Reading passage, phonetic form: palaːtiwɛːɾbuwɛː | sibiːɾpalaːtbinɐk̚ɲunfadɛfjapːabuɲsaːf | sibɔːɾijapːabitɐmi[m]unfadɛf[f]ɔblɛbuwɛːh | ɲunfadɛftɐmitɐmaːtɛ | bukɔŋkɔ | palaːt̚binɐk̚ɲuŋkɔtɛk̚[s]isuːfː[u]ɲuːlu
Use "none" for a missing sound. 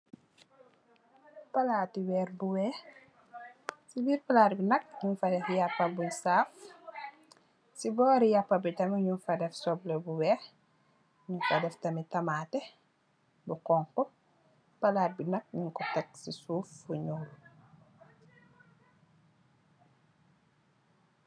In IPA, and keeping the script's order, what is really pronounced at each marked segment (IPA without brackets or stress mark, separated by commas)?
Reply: ɲ, s, s, u